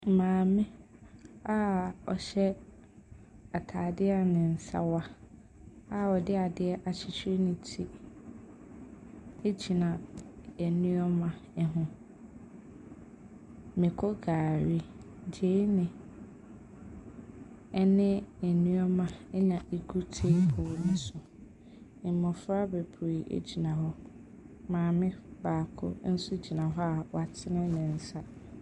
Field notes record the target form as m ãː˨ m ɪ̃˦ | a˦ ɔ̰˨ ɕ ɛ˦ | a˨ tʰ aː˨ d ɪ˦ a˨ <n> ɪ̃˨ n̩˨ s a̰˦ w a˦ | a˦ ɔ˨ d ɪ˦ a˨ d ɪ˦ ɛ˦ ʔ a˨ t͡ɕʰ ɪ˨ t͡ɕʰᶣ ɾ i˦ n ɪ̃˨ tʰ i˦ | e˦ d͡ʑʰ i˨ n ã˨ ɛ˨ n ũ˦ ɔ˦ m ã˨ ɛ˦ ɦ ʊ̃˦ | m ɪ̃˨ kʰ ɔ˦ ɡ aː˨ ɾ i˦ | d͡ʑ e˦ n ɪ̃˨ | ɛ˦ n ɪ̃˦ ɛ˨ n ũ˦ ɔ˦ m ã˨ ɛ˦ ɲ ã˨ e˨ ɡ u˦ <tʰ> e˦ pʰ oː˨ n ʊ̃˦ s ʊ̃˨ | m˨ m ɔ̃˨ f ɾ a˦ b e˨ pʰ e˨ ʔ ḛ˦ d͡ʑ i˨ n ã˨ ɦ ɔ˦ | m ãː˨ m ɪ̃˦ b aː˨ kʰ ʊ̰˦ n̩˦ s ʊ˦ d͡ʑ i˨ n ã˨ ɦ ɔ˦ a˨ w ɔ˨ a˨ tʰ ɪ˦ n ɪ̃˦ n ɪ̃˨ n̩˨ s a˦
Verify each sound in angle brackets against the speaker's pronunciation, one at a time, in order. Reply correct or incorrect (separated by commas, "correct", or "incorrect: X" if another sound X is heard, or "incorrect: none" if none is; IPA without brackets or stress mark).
correct, correct